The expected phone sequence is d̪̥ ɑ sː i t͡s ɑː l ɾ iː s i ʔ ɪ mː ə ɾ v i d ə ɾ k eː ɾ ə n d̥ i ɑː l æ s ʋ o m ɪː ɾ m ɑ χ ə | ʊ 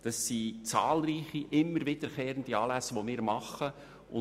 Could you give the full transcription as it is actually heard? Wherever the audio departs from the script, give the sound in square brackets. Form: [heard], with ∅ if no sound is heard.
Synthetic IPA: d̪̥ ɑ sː i t͡s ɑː l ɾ iː [χ] i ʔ ɪ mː ə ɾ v [ɪ] d ə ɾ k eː ɾ ə n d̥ i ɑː l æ s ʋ o m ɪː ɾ m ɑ χ ə | ʊ